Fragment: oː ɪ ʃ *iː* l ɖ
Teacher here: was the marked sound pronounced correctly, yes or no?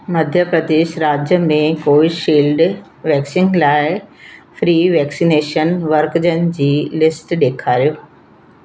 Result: yes